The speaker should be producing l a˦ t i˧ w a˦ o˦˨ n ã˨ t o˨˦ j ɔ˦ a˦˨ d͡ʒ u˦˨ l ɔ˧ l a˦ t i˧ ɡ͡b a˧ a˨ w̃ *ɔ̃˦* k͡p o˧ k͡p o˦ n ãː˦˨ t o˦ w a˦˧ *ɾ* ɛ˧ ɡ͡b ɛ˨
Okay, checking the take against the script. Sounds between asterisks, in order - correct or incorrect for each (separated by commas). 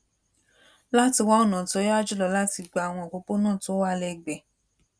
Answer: incorrect, incorrect